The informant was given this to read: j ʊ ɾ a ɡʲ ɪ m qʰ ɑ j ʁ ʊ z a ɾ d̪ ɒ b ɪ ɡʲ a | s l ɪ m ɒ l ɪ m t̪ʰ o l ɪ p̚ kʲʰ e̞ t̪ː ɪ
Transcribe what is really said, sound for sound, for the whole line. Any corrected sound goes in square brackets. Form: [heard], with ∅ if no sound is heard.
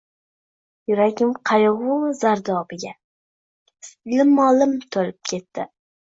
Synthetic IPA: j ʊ ɾ a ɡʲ ɪ m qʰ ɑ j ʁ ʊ z a ɾ d̪ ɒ b ɪ ɡʲ a | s l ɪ m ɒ l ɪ m t̪ʰ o l ɪ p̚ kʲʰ e̞ t̪ː ɪ